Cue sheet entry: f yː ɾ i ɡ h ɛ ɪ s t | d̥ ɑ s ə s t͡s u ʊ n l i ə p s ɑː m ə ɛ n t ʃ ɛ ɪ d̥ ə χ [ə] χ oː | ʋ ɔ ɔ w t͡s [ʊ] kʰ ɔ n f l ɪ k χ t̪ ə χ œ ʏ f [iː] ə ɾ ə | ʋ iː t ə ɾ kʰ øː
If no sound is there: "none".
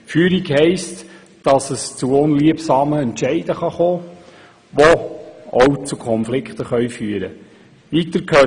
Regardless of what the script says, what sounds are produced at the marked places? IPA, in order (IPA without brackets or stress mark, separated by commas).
ɑ, u, yː